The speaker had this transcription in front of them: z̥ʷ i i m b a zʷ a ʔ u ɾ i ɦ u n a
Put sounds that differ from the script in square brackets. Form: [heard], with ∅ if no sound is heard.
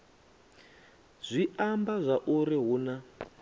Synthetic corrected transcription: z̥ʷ i [a] m b a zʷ a ʔ u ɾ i ɦ u n a